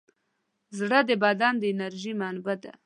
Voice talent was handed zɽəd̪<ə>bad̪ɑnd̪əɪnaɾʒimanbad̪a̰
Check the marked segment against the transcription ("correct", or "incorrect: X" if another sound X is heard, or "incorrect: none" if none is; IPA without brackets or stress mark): correct